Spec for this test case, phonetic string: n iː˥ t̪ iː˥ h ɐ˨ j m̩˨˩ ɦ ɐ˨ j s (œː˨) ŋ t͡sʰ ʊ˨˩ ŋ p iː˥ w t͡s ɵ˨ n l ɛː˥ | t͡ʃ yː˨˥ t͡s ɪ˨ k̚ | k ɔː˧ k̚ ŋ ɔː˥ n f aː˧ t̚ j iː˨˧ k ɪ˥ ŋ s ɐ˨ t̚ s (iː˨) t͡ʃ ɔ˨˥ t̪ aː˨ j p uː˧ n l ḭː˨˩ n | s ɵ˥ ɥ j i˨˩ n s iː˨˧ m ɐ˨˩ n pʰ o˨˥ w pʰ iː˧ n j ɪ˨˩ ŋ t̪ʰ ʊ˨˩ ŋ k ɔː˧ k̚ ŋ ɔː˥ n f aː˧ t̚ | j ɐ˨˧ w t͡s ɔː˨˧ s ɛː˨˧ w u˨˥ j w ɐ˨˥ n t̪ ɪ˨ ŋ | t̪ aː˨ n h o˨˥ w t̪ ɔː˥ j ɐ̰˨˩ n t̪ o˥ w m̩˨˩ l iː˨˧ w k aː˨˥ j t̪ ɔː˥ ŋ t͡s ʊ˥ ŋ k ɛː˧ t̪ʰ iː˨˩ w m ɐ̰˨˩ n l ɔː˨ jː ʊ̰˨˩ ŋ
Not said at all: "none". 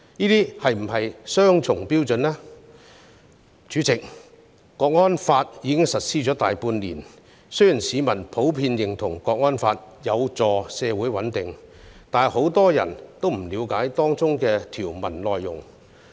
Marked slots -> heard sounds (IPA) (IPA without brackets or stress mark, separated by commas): œː˥, iː˥